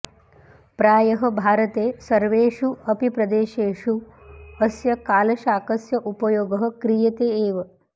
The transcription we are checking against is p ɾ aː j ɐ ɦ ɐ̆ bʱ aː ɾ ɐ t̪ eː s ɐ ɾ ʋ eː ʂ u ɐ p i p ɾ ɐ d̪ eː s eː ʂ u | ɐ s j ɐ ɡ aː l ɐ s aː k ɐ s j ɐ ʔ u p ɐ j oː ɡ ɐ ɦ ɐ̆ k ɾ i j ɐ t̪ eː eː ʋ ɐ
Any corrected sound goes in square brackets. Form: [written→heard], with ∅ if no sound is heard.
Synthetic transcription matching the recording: p ɾ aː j ɐ ɦ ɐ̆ bʱ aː ɾ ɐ t̪ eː s ɐ ɾ ʋ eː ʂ u ɐ p i p ɾ ɐ d̪ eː [s→ʃ] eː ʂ u | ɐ s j ɐ [ɡ→k] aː l ɐ [s→ʃ] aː k ɐ s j ɐ ʔ u p ɐ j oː ɡ ɐ ɦ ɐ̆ k ɾ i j ɐ t̪ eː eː ʋ ɐ